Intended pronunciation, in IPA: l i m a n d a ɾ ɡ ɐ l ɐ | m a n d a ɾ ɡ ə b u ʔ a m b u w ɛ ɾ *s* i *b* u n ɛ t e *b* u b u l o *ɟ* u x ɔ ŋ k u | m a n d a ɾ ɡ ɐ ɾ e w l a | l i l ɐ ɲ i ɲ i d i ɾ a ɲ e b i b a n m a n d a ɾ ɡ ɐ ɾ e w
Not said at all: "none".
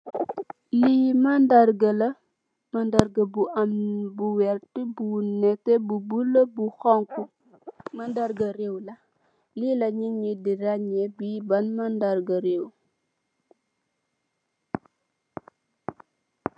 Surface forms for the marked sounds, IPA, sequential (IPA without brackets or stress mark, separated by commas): t, b, b, b